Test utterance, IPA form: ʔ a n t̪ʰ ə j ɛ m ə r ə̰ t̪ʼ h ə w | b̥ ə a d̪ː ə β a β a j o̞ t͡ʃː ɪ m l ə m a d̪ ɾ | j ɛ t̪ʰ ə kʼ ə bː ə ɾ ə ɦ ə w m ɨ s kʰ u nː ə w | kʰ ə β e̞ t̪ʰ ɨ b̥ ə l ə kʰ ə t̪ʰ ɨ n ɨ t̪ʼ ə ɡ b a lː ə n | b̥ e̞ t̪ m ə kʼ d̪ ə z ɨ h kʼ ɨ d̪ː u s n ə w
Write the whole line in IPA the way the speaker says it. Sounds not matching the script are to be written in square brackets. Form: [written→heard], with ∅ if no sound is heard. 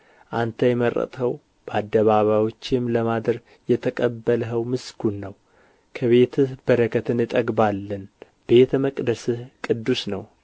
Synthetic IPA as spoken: ʔ a n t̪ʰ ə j ɛ m ə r ə̰ t̪ʼ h ə w | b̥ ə a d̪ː ə β a β a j o̞ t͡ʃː ɪ m l ə m a d̪ ɾ | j ɛ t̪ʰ ə kʼ ə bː ə [ɾ→l] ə ɦ ə w m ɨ s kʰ u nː ə w | kʰ ə β e̞ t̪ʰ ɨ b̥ ə [l→ɾ] ə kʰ ə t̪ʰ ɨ n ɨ t̪ʼ ə ɡ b a lː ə n | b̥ e̞ t̪ m ə kʼ d̪ ə [z→s] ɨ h kʼ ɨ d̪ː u s n ə w